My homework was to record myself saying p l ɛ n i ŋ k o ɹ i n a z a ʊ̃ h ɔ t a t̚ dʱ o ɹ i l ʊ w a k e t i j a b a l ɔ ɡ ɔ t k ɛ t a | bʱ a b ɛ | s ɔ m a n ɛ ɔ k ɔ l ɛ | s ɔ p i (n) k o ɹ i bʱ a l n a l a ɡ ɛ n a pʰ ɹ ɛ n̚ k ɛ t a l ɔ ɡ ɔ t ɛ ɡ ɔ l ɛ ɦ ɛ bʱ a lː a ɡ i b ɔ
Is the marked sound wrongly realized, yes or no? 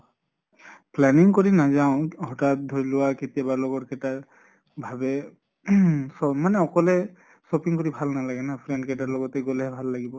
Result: yes